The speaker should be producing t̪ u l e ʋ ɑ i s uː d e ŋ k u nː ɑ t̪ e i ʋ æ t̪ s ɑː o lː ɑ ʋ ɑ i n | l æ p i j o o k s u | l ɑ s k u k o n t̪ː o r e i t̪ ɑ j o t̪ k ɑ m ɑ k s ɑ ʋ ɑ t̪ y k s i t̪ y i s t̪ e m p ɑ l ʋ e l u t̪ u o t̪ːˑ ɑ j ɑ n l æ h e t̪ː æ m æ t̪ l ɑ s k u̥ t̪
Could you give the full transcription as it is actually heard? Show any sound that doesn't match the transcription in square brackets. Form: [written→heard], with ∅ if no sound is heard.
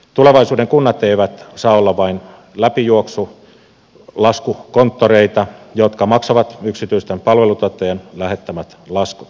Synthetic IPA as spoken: t̪ u l e ʋ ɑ i s uː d e ŋ k u nː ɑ t̪ e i ʋ æ t̪ s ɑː o lː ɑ ʋ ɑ i n | l æ p i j [o→u] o k s u | l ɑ s k u k o n t̪ː o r e i t̪ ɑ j o t̪ k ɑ m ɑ k s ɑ ʋ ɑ t̪ y k s i t̪ y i s t̪ e m p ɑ l ʋ e l u t̪ u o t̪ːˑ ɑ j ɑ n l æ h e t̪ː æ m æ t̪ l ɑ s k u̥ t̪